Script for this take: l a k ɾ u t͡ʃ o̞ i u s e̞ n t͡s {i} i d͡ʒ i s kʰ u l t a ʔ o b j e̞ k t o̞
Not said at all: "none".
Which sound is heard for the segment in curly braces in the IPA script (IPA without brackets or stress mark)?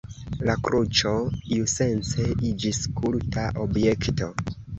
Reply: e